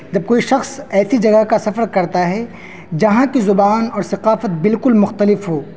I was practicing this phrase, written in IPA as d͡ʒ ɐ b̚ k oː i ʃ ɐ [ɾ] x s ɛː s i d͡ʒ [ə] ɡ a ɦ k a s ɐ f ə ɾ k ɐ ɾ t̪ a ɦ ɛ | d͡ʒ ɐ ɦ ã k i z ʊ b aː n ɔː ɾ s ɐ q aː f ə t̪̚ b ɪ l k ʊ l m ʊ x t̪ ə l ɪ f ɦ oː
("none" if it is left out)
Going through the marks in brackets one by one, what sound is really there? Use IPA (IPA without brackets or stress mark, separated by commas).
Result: none, ɐ